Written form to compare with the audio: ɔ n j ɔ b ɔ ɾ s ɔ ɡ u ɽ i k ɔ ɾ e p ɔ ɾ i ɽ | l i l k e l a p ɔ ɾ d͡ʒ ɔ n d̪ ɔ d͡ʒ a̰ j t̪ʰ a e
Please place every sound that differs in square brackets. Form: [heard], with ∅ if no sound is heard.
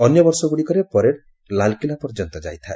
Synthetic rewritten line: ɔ n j ɔ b ɔ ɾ s ɔ ɡ u ɽ i k ɔ ɾ e p ɔ ɾ [e] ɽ | l [a] l k [i] l a p ɔ ɾ d͡ʒ ɔ n [t̪] ɔ d͡ʒ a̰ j t̪ʰ a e